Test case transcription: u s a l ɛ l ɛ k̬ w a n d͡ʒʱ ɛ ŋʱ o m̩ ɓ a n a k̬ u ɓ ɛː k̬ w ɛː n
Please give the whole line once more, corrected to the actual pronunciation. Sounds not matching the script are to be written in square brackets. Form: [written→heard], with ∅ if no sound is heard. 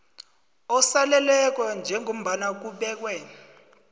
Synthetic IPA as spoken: [u→ɔ] s a l ɛ l ɛ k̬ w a n d͡ʒʱ ɛ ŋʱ o m̩ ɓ a n a k̬ u ɓ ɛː k̬ w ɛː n